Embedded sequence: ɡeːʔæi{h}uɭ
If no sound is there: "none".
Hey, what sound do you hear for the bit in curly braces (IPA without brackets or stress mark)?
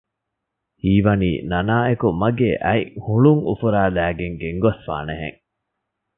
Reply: h